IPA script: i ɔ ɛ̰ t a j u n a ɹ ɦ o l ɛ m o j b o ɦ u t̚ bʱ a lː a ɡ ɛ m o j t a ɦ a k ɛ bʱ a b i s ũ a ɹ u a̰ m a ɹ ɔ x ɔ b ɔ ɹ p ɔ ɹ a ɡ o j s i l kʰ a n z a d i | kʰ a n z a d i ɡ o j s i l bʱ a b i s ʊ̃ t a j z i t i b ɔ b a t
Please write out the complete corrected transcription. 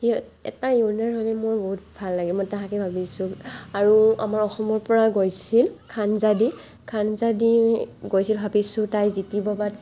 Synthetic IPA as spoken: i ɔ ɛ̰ t a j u n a ɹ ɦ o l ɛ m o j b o ɦ u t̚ bʱ a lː a ɡ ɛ m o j t a ɦ a k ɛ bʱ a b i s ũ a ɹ u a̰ m a ɹ ɔ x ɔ m ɔ ɹ p ɔ ɹ a ɡ o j s i l kʰ a n z a d i | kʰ a n z a d i ɡ o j s i l bʱ a b i s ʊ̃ t a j z i t i b ɔ b a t